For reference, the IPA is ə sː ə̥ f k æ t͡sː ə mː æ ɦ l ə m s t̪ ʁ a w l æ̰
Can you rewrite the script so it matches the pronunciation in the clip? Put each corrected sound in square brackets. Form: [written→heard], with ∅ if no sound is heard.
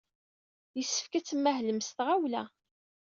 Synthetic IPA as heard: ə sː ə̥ f k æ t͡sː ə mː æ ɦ l ə m s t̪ ʁ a w l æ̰